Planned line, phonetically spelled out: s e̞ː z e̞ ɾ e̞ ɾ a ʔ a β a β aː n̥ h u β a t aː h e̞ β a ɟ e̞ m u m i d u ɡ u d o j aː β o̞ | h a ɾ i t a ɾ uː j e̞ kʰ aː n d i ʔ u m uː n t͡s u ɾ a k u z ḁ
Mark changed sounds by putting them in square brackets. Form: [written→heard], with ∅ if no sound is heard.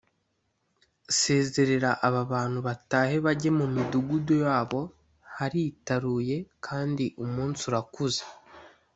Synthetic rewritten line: s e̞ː z e̞ ɾ e̞ ɾ a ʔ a β a β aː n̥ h u β a t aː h e̞ β a ɟ e̞ m u m i d u ɡ u d o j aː β o̞ | h a ɾ i t a ɾ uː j e̞ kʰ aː n d i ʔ u m uː n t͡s u ɾ a k u z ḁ